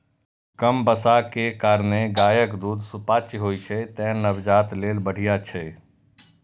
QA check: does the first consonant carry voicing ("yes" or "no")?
no